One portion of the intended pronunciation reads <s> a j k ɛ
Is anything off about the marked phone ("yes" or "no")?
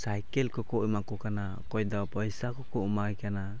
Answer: no